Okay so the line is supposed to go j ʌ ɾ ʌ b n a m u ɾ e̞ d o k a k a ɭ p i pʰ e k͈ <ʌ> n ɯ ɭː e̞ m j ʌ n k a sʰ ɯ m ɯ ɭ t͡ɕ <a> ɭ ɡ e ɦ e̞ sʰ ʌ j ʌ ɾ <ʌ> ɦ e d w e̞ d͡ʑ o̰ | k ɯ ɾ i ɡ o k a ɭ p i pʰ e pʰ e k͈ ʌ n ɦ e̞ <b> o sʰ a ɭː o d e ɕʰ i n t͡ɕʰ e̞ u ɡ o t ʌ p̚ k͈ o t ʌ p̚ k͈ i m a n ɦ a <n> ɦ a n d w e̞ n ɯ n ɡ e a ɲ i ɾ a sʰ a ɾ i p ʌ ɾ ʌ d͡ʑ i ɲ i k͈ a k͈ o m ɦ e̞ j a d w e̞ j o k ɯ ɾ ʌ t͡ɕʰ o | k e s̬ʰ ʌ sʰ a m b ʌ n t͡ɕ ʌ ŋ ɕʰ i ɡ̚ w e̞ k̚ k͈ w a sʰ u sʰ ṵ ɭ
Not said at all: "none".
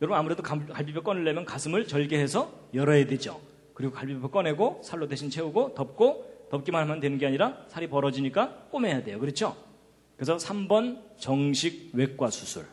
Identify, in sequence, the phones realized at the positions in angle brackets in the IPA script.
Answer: ʌ, ʌ, ʌ, ɡ, m

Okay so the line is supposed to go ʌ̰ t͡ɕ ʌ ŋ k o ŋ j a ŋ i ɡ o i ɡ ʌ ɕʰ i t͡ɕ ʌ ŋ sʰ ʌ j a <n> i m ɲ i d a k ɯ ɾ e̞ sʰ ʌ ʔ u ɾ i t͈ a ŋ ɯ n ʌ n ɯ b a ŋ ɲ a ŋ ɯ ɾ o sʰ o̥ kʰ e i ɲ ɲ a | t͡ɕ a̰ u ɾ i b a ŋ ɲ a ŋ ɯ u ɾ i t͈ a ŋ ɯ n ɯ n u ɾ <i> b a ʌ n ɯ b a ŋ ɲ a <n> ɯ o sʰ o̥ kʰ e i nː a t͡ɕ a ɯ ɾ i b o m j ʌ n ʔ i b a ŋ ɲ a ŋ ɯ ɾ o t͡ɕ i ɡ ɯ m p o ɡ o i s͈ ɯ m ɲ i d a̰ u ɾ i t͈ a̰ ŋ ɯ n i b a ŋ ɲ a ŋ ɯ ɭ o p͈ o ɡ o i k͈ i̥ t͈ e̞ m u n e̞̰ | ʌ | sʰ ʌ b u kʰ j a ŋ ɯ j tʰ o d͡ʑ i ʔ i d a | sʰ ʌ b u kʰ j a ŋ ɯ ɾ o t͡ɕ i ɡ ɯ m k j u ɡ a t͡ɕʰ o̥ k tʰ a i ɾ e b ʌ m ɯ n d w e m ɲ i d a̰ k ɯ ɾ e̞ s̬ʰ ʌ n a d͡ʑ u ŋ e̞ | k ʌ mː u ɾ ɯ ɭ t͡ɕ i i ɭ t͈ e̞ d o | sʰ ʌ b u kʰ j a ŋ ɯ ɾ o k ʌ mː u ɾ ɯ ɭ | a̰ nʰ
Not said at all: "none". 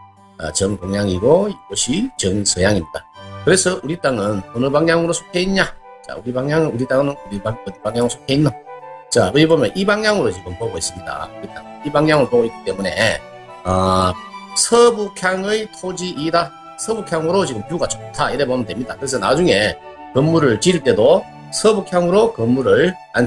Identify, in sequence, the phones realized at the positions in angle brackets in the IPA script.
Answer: ŋ, i, ŋ

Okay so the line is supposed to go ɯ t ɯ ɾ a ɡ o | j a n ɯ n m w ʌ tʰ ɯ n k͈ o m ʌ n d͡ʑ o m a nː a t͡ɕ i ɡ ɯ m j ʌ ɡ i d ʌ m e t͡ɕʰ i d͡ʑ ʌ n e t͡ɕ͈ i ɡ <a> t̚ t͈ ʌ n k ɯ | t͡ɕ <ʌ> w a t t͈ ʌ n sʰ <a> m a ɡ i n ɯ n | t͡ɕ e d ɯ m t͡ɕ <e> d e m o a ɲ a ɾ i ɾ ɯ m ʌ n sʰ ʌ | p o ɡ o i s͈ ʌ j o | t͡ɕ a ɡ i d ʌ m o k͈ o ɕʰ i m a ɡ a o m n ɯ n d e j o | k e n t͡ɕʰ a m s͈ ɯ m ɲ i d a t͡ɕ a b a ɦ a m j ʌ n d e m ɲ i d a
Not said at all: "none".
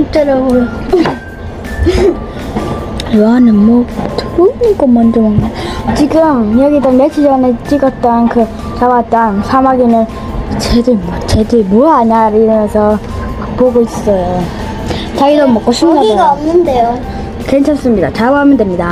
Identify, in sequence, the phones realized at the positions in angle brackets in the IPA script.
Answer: ʌ, a, a, e

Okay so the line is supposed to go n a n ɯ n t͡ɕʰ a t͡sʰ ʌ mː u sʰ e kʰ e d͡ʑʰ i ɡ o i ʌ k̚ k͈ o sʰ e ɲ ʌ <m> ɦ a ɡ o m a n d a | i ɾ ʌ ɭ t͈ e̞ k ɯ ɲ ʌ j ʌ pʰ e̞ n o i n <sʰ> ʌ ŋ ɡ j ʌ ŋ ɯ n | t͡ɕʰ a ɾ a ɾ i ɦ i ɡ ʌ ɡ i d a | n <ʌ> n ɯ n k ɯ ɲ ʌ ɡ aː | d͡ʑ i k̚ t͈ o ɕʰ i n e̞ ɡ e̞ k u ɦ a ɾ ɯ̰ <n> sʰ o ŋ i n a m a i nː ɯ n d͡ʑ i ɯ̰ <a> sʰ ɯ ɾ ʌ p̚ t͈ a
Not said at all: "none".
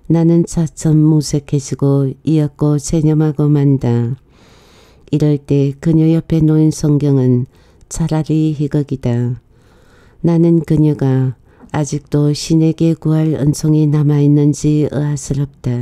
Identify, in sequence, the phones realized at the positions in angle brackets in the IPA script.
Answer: m, sʰ, a, n, a

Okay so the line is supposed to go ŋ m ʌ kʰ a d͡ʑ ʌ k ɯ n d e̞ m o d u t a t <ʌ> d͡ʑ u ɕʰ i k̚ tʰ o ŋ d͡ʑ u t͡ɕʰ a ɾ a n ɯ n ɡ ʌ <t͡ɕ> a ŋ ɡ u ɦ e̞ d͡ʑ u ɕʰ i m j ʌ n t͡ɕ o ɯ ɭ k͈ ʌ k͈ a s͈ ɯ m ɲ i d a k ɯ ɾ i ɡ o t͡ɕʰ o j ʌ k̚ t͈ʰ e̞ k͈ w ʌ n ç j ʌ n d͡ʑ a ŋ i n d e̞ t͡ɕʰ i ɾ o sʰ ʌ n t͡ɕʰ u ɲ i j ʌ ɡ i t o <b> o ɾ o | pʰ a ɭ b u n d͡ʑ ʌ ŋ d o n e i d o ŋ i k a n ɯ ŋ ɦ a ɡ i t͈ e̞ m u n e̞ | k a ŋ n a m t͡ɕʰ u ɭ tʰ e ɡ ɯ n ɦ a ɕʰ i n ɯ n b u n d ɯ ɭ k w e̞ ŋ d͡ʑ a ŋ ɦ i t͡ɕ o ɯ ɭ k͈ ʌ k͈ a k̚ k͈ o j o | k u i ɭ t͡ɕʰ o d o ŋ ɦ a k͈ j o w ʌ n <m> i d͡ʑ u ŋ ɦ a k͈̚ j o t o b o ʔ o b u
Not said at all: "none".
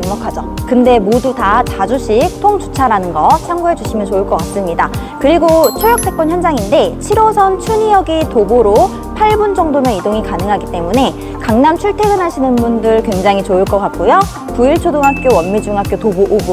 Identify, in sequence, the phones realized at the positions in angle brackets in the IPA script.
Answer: a, t͡ɕʰ, b, m

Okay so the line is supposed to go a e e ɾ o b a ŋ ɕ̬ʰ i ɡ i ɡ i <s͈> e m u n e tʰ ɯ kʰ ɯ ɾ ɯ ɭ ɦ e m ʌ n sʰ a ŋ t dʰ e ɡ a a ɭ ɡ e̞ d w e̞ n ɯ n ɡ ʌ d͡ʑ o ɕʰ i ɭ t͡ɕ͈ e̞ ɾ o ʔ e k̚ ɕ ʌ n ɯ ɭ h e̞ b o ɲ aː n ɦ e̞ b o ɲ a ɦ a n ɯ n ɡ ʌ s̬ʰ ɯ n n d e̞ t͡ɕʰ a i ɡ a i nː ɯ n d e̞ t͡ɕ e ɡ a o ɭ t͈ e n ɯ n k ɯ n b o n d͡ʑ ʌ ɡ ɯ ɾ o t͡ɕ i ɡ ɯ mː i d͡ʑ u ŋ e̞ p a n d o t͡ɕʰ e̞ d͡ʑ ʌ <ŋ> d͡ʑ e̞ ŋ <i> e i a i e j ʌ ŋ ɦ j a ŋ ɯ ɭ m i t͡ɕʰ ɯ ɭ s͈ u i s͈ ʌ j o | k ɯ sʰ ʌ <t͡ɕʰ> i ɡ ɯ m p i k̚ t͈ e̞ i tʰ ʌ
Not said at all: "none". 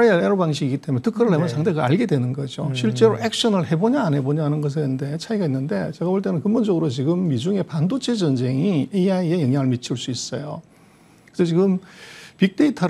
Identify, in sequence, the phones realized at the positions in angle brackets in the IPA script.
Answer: t͈, n, i, t͡ɕ

